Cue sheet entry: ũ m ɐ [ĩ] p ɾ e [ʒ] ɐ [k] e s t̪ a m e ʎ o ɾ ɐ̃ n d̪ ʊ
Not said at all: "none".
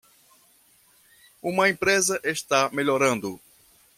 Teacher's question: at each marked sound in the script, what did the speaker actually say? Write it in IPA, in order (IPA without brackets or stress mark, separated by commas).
ẽ, z, ʔ